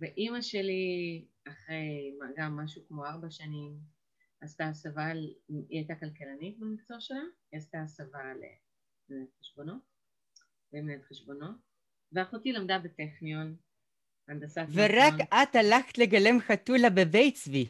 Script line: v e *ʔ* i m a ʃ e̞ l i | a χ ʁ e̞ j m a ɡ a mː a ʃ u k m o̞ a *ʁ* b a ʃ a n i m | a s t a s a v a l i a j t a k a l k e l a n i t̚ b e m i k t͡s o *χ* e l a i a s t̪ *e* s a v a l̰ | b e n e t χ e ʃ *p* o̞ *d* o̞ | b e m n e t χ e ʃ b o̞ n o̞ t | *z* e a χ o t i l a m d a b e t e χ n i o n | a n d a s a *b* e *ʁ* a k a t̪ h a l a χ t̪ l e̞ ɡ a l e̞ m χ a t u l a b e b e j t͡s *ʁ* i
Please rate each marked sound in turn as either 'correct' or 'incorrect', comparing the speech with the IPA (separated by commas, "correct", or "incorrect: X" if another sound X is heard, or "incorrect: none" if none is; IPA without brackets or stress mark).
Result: correct, correct, incorrect: ʃ, incorrect: a, incorrect: b, incorrect: n, incorrect: v, incorrect: v, correct, incorrect: v